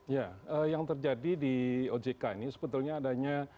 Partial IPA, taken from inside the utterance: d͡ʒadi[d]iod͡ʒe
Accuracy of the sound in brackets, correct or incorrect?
correct